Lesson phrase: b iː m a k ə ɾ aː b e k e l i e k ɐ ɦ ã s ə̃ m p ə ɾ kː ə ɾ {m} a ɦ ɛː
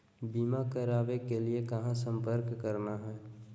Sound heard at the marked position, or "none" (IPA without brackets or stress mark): n